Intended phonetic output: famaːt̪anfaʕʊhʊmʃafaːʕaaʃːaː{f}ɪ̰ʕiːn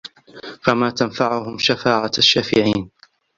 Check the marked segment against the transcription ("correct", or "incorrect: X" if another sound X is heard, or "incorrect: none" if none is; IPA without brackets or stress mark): correct